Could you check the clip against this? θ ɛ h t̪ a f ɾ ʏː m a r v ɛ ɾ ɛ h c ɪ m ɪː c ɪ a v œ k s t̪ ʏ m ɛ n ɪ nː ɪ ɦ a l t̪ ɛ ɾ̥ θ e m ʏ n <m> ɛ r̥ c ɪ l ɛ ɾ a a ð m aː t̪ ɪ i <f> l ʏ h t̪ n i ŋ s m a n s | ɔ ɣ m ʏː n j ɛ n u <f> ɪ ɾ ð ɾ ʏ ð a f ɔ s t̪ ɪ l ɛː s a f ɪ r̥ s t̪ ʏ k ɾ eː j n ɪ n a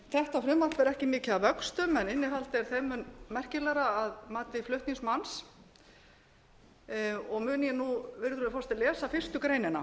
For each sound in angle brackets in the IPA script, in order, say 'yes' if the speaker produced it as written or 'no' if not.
yes, yes, no

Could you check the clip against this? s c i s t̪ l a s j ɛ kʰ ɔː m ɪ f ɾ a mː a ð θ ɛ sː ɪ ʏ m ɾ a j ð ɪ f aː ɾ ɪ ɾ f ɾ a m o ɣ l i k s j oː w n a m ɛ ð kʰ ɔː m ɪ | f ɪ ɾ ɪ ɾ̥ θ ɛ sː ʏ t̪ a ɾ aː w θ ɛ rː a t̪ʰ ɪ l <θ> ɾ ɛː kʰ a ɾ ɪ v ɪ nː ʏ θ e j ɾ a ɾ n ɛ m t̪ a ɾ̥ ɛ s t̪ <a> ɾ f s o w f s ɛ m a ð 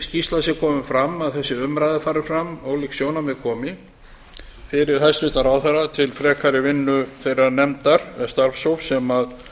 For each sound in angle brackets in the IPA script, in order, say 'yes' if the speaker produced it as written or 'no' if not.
no, yes

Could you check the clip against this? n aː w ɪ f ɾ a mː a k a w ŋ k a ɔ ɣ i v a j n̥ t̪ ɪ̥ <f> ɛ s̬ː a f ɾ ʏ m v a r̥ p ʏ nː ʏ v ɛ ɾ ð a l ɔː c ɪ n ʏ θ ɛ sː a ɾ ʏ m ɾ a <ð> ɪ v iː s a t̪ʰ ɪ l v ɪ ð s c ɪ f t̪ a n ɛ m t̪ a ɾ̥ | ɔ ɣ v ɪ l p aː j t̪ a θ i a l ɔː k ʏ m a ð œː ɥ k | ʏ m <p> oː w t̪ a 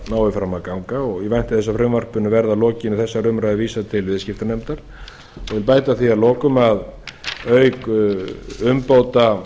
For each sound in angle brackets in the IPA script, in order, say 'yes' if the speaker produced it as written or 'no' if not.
no, yes, yes

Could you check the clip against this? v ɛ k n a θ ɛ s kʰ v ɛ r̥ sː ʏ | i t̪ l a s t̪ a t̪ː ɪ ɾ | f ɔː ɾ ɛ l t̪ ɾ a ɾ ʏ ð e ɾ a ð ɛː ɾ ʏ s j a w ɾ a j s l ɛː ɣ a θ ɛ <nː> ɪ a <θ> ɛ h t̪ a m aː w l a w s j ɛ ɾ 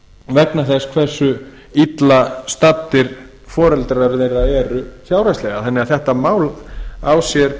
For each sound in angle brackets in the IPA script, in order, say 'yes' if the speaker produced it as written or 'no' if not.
yes, yes

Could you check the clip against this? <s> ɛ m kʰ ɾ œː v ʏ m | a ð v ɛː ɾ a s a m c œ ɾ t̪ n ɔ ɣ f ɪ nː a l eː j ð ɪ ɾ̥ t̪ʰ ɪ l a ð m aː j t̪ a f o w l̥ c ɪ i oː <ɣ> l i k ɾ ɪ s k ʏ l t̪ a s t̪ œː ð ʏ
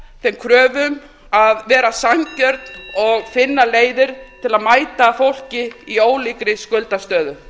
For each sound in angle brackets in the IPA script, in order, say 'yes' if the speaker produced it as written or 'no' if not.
no, no

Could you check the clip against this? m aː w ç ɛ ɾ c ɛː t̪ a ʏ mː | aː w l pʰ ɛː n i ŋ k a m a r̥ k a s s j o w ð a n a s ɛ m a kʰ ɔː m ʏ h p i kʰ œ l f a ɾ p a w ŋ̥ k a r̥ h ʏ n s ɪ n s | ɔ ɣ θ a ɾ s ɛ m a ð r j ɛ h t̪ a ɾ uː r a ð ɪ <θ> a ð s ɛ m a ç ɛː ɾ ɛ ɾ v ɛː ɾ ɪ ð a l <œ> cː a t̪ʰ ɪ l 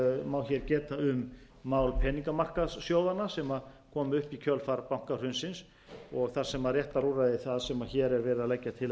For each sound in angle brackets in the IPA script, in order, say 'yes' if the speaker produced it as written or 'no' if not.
yes, no

